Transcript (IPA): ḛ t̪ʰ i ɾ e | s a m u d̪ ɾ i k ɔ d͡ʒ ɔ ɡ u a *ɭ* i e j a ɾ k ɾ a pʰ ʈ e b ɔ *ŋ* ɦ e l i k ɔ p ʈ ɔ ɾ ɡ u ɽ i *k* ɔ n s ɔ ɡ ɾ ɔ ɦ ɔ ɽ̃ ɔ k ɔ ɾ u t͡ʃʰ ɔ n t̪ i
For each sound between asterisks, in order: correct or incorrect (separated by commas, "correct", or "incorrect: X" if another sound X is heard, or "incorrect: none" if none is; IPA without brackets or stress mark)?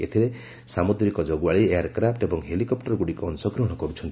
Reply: correct, correct, correct